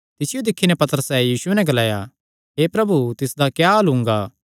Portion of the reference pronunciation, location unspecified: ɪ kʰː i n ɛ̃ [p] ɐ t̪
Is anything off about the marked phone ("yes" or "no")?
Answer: no